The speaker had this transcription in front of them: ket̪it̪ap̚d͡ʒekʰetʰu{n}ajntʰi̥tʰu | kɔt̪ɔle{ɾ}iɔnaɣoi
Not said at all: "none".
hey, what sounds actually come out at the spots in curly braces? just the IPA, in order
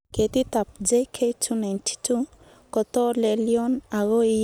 n, l

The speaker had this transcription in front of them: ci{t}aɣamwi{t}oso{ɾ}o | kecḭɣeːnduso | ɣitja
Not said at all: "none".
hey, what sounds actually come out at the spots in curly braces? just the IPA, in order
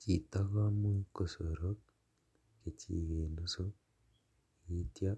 t, k, ɾ

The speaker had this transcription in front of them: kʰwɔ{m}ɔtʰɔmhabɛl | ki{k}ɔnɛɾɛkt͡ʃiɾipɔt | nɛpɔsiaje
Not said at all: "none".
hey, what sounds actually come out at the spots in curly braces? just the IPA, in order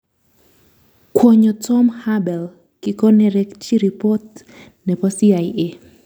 ɲ, k

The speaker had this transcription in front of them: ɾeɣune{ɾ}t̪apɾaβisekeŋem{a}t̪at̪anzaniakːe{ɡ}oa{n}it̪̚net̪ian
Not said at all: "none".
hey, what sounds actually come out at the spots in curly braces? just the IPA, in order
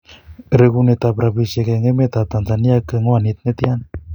none, e, ŋ, n

